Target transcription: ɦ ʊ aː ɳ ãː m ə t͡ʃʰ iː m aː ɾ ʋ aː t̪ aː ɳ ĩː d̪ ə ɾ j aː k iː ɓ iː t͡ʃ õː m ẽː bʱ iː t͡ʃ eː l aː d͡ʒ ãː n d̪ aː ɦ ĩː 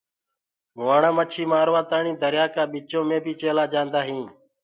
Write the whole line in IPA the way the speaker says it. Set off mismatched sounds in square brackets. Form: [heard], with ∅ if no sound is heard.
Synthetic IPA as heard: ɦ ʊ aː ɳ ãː m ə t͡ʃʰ iː m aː ɾ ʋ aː t̪ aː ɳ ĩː d̪ ə ɾ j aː k [aː] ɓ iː t͡ʃ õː m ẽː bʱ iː t͡ʃ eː l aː d͡ʒ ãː n d̪ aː ɦ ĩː